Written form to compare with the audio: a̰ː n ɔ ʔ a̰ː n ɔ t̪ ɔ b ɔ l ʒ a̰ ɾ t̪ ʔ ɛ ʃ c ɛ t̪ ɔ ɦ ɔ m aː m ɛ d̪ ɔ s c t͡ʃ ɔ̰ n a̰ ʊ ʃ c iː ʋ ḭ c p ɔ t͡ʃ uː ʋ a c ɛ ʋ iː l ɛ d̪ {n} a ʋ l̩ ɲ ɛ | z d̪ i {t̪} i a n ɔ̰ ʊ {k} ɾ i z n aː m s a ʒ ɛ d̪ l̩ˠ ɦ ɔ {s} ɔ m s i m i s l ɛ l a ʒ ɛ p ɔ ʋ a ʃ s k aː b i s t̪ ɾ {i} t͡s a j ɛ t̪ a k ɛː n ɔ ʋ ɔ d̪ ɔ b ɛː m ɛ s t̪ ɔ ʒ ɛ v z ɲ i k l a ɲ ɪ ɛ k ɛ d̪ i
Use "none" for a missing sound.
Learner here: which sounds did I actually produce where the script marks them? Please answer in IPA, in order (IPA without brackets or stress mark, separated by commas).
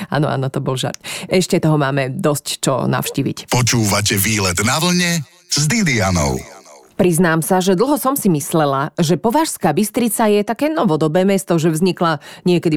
n, d̪, p, s, i